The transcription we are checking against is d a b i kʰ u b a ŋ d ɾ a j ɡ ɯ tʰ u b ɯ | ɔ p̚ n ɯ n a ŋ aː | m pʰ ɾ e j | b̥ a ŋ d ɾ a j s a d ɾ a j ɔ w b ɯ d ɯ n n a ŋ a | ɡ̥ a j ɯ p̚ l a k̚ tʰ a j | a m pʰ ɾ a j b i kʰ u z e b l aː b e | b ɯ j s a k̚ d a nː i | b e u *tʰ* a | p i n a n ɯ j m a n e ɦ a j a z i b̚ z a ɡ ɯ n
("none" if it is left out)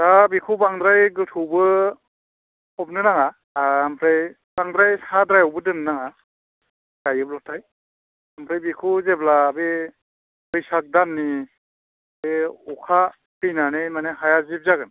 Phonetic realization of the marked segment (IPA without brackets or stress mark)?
kʰ